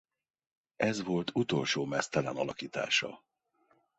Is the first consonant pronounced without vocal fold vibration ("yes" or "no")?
no